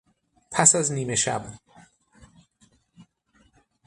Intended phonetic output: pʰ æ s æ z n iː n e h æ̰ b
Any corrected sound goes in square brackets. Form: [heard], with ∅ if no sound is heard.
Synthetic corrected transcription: pʰ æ s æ z n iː [m] e [ʃ] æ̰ b